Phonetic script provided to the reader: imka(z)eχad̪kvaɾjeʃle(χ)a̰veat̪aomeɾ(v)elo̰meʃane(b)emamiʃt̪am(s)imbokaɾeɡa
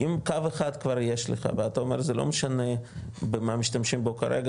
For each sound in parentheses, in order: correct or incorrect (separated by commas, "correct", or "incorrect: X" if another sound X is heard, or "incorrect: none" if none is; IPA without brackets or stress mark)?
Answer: incorrect: v, correct, incorrect: z, correct, incorrect: ʃ